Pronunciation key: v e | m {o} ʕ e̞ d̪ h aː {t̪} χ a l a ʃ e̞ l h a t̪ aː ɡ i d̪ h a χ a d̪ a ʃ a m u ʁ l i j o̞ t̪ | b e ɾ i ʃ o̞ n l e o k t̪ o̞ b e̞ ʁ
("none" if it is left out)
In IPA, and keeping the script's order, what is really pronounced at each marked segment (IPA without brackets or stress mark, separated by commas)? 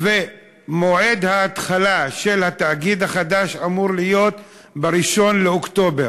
o, t̪